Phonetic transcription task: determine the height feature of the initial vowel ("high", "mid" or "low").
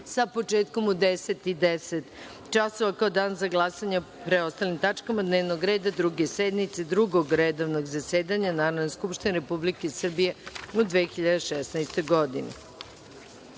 low